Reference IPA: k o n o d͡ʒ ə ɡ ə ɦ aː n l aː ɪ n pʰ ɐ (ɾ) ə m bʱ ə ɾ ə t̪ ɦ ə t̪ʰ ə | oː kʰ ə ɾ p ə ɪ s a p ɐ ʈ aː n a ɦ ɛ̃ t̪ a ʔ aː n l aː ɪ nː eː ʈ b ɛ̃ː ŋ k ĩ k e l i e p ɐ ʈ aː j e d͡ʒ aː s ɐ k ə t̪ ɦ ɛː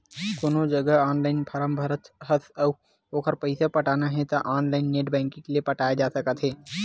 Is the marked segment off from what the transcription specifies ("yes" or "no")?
no